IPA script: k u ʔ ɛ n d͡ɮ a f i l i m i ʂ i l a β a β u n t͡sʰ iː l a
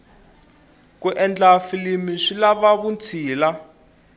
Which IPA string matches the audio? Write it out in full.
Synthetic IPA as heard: k u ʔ ɛ n d͡ɮ a f i l i m i ʂ i l a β a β u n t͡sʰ iː l a